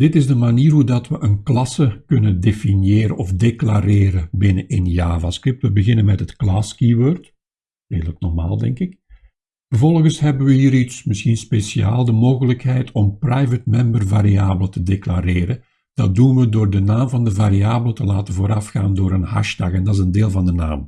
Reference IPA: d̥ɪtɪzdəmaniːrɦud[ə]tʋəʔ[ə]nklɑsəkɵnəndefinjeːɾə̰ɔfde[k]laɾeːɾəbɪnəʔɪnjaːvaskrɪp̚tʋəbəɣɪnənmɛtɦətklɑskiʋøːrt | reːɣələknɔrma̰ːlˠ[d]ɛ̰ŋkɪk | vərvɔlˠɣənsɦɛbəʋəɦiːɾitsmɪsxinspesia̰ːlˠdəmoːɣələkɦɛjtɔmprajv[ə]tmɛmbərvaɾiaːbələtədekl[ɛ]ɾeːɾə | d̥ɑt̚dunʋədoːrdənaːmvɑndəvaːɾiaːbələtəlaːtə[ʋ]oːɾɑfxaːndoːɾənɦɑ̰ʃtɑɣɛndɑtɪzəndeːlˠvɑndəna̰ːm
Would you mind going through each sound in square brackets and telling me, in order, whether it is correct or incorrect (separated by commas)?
incorrect, correct, correct, correct, correct, incorrect, incorrect